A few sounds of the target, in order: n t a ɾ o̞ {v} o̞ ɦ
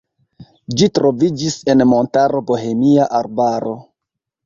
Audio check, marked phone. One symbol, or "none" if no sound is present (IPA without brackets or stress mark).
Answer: b